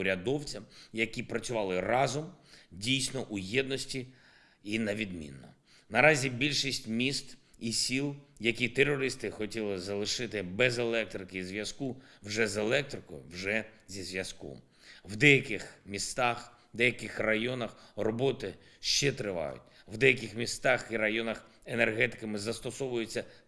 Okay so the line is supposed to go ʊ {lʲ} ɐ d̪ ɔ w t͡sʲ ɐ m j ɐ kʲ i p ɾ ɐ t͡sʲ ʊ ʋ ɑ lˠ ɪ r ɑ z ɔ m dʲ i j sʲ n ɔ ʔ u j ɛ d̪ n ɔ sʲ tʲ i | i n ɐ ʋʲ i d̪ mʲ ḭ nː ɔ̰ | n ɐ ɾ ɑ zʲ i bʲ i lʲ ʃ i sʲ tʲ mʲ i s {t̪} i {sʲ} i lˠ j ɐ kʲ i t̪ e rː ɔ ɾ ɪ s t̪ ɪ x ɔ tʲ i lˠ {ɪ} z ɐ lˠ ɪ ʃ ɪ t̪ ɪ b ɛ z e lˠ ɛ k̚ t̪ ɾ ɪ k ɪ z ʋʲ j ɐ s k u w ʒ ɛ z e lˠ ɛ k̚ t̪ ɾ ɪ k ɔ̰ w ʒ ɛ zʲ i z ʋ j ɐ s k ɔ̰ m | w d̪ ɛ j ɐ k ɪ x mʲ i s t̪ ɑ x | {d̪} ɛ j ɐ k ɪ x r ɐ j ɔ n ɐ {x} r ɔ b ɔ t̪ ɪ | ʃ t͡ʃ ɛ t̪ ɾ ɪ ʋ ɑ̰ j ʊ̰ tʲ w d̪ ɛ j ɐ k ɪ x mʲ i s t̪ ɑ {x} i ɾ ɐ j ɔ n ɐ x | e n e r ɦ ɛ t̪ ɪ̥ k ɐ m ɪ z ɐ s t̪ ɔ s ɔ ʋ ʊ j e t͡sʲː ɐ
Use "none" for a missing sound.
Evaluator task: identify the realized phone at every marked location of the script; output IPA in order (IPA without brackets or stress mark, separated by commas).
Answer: ɾʲ, t̪, sʲ, ɪ, d̪, x, x